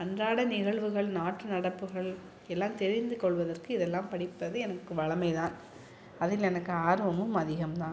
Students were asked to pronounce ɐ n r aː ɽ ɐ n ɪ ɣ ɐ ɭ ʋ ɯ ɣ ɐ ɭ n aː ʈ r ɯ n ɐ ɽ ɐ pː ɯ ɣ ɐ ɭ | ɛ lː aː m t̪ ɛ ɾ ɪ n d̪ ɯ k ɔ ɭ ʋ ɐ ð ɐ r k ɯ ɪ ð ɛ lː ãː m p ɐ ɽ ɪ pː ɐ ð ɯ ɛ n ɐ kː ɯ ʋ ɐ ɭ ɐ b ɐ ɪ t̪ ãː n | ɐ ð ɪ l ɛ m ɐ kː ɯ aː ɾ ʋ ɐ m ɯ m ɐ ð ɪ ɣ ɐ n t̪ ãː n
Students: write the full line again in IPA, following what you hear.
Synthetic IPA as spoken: ɐ n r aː ɽ ɐ n ɪ ɣ ɐ ɭ ʋ ɯ ɣ ɐ ɭ n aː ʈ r ɯ n ɐ ɽ ɐ pː ɯ ɣ ɐ ɭ | ɛ lː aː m t̪ ɛ ɾ ɪ n d̪ ɯ k ɔ ɭ ʋ ɐ ð ɐ r k ɯ ɪ ð ɛ lː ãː m p ɐ ɽ ɪ pː ɐ ð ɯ ɛ n ɐ kː ɯ ʋ ɐ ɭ ɐ m ɐ ɪ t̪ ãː n | ɐ ð ɪ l ɛ n ɐ kː ɯ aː ɾ ʋ ɐ m ɯ m ɐ ð ɪ ɣ ɐ m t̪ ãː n